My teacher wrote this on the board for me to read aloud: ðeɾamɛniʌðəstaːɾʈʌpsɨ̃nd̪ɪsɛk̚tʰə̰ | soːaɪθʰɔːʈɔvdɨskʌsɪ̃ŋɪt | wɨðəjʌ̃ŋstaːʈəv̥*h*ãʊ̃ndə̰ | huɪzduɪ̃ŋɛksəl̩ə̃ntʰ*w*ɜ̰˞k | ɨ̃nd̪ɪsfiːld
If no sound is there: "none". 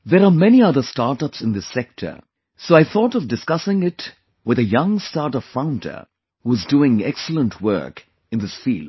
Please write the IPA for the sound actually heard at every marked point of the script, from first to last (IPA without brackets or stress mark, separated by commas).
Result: f, w